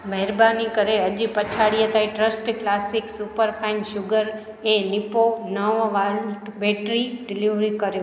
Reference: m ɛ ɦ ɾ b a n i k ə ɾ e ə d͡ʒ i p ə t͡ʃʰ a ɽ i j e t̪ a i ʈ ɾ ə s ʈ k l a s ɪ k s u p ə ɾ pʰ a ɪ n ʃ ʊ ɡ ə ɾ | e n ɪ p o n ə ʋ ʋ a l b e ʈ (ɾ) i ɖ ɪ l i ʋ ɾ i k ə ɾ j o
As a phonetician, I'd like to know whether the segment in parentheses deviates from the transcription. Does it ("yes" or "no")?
no